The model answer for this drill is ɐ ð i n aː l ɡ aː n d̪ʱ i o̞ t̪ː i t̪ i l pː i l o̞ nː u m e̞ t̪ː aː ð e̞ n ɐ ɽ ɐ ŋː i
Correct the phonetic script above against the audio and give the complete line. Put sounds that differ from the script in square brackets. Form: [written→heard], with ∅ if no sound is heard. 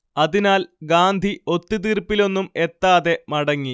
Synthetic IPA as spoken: ɐ ð i n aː l ɡ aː n d̪ʱ i o̞ t̪ː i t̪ i [l→r] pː i l o̞ nː u m e̞ t̪ː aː ð e̞ [n→m] ɐ ɽ ɐ ŋː i